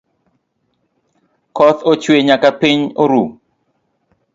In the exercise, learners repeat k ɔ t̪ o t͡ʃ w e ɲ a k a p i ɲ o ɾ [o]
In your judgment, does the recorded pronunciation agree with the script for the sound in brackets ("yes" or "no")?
no